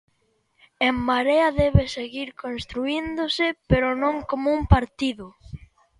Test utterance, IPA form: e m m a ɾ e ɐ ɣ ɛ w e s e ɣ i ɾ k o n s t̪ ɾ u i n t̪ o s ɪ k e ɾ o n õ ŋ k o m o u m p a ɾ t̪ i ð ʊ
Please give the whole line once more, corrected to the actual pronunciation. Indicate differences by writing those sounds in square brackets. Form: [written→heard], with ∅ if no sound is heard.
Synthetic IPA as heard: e m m a ɾ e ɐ [ɣ→ð] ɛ [w→β] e s e ɣ i ɾ k o n s t̪ ɾ u i n [t̪→d̪] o s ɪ [k→p] e ɾ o n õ ŋ k o m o u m p a ɾ t̪ i ð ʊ